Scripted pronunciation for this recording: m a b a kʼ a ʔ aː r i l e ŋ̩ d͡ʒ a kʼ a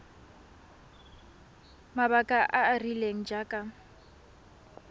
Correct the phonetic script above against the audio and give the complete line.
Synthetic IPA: m a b a kʼ a ʔ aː r i l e ŋ̩ d͡ʒ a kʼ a